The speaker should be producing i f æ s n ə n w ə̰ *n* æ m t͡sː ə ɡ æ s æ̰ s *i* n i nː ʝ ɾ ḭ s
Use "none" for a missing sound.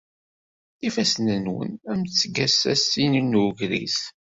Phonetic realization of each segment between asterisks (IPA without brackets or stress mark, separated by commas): n, i